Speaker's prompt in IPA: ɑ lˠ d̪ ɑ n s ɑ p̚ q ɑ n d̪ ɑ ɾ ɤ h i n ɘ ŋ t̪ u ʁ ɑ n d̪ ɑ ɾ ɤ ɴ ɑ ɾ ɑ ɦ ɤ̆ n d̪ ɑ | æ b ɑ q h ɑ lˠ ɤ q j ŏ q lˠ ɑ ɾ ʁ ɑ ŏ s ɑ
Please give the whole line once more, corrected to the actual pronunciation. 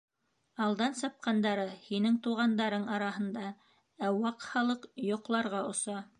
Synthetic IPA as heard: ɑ lˠ d̪ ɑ n s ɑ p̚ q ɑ n d̪ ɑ ɾ ɤ h i n ɘ ŋ t̪ u ʁ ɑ n d̪ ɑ ɾ ɤ ɴ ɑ ɾ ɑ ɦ ɤ̆ n d̪ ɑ | æ w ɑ q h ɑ lˠ ɤ q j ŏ q lˠ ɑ ɾ ʁ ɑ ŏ s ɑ